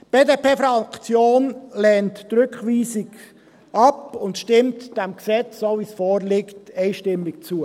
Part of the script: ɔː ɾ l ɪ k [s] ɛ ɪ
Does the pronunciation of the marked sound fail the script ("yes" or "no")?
yes